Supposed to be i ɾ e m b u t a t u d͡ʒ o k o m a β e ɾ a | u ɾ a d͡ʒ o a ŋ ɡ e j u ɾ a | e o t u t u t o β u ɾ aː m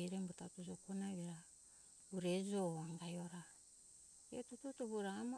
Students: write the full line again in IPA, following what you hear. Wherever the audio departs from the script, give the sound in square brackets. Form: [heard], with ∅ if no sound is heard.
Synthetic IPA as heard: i ɾ e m b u t a t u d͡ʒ o k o [n] a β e ɾ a | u ɾ [e] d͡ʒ o a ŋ ɡ [a] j [o] ɾ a | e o t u t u t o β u ɾ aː m